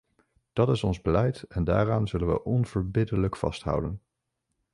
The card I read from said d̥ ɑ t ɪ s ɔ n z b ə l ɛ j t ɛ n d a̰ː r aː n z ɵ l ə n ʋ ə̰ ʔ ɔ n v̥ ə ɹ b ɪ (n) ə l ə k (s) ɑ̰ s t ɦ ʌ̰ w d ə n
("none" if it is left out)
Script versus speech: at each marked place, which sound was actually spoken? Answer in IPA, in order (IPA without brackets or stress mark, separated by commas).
d, f